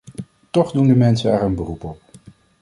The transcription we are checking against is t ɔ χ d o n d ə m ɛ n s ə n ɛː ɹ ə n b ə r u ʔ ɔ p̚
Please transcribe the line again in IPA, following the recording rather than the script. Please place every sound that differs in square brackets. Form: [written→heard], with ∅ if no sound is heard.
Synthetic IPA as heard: t ɔ χ d [o→u] n d ə m ɛ n s ə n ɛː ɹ ə n b ə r u [ʔ→p] ɔ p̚